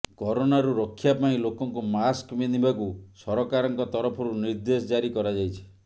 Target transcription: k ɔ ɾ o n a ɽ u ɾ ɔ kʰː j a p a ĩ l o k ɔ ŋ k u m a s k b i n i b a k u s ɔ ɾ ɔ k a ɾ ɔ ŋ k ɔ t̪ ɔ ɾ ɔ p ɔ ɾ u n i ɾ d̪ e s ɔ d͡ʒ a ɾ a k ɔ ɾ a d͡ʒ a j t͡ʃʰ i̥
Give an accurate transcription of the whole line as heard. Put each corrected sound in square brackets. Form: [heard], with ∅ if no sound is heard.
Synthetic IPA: k ɔ ɾ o n a [ɾ] u ɾ ɔ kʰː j a p a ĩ l o k ɔ ŋ k u m a s k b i n i b a k u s ɔ ɾ ɔ k a ɾ ɔ ŋ k ɔ t̪ ɔ ɾ ɔ [pʰ] ɔ ɾ u n i ɾ d̪ e s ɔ d͡ʒ a ɾ [i] k ɔ ɾ a d͡ʒ a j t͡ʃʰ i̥